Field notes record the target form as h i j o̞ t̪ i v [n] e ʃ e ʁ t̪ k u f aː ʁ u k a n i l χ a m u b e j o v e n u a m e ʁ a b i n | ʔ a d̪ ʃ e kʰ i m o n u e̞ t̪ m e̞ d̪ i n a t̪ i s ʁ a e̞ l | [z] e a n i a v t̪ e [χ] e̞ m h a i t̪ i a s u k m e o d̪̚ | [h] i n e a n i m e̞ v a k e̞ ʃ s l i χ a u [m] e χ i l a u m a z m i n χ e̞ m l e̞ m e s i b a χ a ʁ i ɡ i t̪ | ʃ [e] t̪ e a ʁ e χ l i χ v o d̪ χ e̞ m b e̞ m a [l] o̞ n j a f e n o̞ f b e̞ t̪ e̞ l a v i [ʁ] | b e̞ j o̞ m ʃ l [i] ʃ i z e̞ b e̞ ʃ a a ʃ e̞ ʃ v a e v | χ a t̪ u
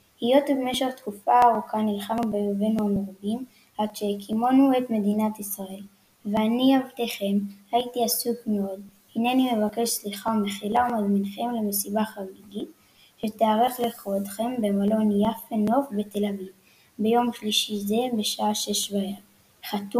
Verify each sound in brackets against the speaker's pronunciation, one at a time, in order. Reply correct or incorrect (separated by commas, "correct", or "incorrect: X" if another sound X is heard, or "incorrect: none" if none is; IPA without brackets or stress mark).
incorrect: m, incorrect: v, correct, correct, correct, correct, correct, incorrect: v, correct